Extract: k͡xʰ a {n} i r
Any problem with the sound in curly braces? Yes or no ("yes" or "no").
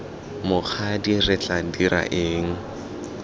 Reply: yes